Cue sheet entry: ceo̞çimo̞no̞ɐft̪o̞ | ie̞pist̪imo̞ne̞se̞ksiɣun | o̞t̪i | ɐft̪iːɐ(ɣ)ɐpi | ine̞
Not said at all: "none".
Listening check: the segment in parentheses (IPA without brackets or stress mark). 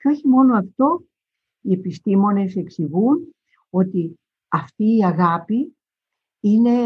ɣ